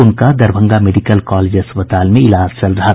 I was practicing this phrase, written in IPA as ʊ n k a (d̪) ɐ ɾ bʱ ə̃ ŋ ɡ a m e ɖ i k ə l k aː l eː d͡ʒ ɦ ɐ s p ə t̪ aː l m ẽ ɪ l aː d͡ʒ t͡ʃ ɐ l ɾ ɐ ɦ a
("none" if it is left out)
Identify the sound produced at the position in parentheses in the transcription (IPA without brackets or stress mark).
d̪